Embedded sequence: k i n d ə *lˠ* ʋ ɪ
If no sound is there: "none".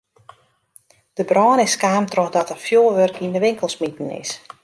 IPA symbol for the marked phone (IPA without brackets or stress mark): none